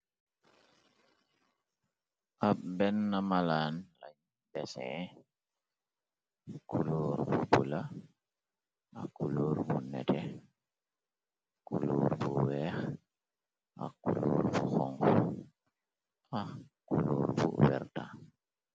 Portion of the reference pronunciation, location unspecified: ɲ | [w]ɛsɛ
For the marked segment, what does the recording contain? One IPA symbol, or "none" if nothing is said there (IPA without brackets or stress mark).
b